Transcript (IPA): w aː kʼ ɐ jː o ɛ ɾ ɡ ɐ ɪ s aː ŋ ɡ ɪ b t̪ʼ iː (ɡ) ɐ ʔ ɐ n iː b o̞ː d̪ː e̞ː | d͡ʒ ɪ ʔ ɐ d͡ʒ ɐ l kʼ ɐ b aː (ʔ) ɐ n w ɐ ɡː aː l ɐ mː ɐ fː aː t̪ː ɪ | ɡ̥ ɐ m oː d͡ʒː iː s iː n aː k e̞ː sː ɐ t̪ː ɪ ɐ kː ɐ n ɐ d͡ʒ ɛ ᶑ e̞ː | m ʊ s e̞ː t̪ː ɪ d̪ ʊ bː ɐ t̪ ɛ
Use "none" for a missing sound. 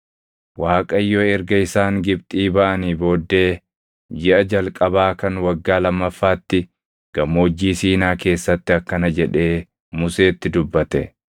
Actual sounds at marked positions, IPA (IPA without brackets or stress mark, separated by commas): b, k